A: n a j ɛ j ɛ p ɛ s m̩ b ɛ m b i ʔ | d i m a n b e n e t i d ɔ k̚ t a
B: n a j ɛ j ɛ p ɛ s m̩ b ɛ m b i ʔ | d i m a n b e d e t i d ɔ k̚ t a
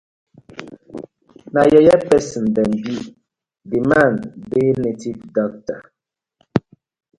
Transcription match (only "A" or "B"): A